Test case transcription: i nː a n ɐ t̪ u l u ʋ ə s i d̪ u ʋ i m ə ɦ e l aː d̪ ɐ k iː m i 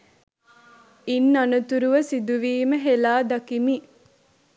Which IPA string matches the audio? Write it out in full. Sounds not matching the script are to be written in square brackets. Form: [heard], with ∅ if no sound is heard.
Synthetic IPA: i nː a n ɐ t̪ u [ɾ] u ʋ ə s i d̪ u ʋ [iː] m ə ɦ e l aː d̪ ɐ k [i] m i

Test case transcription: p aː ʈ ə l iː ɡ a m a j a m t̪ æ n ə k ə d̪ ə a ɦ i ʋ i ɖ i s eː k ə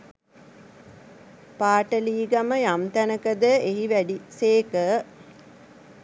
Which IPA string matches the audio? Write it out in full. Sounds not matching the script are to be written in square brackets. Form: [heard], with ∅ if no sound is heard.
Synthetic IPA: p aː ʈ ə l iː ɡ a m [ə] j a m t̪ æ n ə k ə d̪ ə [e] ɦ i ʋ [æ] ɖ i s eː k ə

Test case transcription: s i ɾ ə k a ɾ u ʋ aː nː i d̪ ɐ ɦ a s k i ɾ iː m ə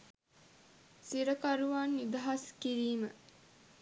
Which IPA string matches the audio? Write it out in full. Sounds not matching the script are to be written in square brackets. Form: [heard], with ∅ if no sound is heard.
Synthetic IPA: s i ɾ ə k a ɾ u ʋ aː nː i d̪ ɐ ɦ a s k i ɾ iː m ə

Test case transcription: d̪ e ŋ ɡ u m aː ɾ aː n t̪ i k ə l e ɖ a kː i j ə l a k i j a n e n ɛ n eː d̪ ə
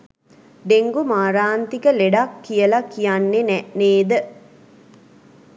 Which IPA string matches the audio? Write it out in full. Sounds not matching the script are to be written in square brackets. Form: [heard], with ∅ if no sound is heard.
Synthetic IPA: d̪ e ŋ ɡ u m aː ɾ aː n t̪ i k ə l e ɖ a kː i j ə l a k i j a [nː] e n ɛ n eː d̪ ə

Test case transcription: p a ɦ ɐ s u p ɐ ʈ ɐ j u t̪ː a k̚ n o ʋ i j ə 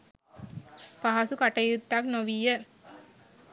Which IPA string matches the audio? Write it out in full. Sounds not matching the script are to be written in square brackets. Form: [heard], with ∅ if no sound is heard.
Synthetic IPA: p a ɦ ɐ s u [k] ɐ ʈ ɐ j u t̪ː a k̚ n o ʋ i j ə

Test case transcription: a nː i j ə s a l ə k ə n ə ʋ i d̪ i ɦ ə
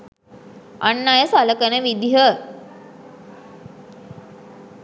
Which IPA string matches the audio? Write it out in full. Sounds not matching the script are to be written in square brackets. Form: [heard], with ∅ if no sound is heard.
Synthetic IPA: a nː [a] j ə s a l ə k ə n ə ʋ i d̪ i ɦ ə

